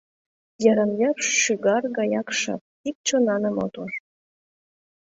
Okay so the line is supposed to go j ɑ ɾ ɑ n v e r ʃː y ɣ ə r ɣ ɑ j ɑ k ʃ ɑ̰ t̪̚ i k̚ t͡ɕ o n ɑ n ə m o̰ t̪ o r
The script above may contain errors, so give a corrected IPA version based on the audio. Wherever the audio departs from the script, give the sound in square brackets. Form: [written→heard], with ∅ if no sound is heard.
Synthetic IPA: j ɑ ɾ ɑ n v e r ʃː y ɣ [ə→ɑ] r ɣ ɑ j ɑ k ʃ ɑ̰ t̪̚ i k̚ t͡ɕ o n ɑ n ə m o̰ t̪ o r